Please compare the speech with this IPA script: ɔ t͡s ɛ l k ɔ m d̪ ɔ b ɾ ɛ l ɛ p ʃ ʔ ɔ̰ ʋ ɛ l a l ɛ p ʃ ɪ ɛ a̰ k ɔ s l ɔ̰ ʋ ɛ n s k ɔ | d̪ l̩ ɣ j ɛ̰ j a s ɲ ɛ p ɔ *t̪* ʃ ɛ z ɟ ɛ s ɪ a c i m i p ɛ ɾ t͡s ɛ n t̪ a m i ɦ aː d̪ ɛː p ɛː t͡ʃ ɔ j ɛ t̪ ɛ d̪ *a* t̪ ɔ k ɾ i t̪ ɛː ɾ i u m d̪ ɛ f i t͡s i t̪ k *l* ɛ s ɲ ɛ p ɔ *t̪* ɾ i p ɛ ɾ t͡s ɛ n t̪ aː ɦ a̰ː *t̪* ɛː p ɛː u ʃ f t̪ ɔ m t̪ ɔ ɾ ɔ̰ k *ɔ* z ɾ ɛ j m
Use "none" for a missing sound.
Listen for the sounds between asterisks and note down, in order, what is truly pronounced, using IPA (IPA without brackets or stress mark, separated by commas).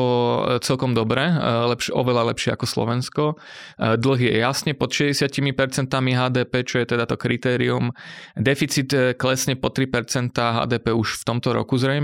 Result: t̪, a, l, t̪, d̪, u